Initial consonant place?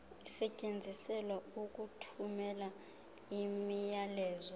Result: alveolar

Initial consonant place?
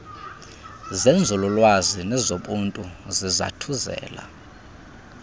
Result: alveolar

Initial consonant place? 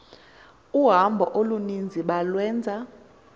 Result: glottal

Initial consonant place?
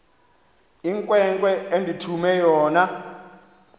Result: velar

